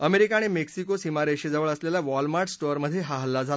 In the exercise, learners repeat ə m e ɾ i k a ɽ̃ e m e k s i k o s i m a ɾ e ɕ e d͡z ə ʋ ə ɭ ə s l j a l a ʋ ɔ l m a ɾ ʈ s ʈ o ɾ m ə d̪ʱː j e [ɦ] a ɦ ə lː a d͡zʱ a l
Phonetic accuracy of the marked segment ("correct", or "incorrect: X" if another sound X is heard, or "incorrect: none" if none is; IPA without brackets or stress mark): correct